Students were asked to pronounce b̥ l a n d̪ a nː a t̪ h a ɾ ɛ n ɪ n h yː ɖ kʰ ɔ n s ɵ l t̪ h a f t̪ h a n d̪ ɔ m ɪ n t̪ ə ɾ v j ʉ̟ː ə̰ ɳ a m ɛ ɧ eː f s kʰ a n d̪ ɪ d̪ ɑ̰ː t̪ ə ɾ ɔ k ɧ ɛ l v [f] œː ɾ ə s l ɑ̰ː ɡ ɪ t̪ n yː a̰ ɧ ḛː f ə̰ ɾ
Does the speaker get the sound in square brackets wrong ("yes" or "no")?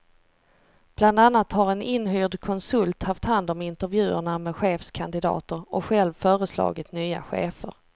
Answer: no